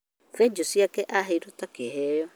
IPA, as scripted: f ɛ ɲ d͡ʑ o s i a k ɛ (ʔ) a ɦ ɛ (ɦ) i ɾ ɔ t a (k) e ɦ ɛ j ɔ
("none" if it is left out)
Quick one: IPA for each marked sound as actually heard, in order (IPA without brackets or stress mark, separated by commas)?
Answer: ʔ, none, k